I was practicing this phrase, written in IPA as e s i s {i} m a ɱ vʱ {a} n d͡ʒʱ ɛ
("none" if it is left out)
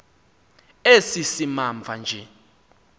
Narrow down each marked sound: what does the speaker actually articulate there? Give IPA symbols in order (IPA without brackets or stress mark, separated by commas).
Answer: i, a